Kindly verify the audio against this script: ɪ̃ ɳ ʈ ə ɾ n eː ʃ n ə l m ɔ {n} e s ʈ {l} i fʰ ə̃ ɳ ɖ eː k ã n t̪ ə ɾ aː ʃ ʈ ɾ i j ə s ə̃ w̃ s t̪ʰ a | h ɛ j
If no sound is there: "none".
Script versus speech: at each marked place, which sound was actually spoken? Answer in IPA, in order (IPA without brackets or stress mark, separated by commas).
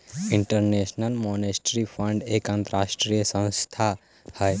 n, ɾ